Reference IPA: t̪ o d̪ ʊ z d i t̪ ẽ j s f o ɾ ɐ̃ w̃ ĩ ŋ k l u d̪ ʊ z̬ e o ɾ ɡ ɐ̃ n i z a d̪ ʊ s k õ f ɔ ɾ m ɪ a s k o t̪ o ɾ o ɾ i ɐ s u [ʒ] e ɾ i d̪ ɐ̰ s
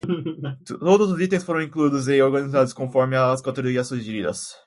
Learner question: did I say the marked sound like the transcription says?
yes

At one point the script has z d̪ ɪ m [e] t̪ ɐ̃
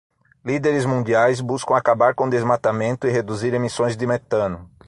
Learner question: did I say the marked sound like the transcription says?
yes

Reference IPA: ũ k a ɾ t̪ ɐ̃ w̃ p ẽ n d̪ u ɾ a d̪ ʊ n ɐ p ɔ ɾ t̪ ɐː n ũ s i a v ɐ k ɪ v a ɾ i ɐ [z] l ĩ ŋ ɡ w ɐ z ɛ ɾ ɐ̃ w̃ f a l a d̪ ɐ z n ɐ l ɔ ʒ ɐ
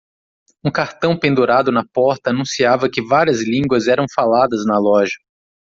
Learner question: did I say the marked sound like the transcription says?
yes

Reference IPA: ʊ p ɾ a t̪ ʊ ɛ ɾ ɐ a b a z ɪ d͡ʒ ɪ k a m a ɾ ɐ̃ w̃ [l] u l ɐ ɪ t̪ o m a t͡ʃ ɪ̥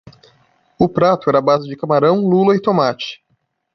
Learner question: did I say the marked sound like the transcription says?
yes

